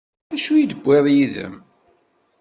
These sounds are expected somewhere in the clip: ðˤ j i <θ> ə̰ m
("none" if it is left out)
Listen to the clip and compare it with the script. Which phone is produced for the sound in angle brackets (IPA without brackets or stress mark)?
ð